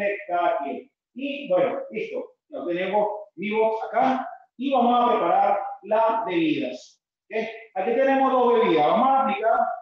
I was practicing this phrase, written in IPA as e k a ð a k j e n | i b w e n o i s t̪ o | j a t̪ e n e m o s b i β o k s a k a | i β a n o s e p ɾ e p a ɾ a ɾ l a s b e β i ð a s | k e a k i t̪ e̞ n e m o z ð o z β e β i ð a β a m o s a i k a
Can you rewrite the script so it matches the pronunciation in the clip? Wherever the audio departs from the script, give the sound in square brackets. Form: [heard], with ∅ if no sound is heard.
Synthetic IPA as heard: e k a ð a k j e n | i b w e n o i s t̪ o | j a t̪ e n e m o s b i β o k s a k a | i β a [m] o s [a] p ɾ e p a ɾ a ɾ l a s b e β i ð a s | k e a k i t̪ e̞ n e m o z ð o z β e β i ð a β a m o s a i k a

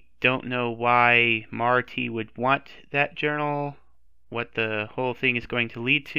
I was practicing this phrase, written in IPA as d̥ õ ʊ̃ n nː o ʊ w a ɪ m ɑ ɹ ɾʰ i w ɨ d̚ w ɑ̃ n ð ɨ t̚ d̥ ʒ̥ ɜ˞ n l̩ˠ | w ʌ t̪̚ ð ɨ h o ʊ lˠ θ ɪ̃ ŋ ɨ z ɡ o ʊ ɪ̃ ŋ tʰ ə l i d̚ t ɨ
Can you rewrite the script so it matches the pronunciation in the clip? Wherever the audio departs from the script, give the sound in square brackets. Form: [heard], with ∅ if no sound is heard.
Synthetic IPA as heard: d̥ õ ʊ̃ n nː o ʊ w a ɪ m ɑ ɹ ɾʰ i w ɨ d̚ w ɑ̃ n ð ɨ t̚ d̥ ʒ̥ ɜ˞ n l̩ˠ | w ʌ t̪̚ ð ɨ h o ʊ lˠ θ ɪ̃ ŋ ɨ z ɡ o ʊ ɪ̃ ŋ tʰ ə l i d̚ [tʰ] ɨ

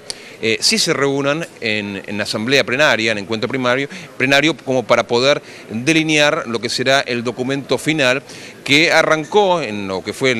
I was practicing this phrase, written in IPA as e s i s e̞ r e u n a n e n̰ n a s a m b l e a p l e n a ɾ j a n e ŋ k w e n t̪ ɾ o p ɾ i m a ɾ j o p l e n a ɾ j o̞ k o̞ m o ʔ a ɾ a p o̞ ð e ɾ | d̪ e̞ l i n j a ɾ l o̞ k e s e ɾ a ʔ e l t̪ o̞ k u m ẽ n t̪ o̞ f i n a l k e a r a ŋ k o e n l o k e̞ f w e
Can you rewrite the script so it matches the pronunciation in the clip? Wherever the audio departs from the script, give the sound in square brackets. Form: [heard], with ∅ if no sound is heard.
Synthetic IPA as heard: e s i s e̞ r e u n a n e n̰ n a s a m b l e a p l e n a ɾ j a n e ŋ k w e n t̪ ɾ o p ɾ i m a ɾ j o p l e n a ɾ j o̞ k o̞ m o [p] a ɾ a p o̞ ð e ɾ | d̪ e̞ l i n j a ɾ l o̞ k e s e ɾ a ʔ e l [d̪] o̞ k u m ẽ n t̪ o̞ f i n a l k e a r a ŋ k o e n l o k e̞ f w e

